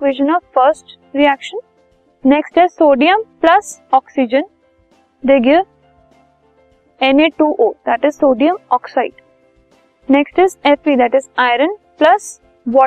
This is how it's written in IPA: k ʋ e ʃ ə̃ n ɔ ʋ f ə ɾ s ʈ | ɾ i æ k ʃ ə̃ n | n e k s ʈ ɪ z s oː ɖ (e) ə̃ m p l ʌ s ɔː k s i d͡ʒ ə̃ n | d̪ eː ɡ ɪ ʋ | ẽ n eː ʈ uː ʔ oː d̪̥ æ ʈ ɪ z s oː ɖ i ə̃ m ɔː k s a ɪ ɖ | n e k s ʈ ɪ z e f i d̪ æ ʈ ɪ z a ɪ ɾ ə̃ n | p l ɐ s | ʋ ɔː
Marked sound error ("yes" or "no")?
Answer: yes